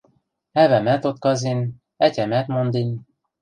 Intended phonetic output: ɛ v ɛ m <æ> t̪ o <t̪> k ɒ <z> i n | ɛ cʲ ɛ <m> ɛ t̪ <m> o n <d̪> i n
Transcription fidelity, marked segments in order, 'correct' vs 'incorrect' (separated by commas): incorrect, correct, correct, correct, correct, correct